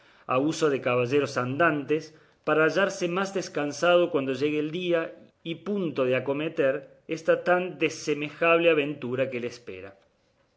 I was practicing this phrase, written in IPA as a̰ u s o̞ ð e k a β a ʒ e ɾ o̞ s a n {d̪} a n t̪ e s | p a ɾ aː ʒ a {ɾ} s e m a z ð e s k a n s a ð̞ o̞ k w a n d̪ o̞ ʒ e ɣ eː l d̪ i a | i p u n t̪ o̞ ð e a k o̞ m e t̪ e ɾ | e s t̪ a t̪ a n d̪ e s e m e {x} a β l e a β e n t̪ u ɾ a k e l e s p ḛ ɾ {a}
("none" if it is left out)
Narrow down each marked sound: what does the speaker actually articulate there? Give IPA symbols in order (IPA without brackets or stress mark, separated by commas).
d̪, ɾ, x, a